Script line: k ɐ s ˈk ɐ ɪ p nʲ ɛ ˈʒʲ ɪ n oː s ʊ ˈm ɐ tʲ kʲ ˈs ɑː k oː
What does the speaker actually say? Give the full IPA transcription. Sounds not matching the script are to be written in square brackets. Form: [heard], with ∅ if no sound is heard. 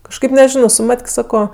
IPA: k ɐ [ʃ] ˈk ɐ ɪ p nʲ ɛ ˈʒʲ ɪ n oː s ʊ ˈm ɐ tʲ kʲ ˈs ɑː k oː